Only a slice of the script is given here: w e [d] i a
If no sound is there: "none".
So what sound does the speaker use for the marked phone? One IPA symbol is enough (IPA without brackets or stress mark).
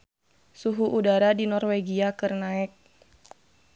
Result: ɡ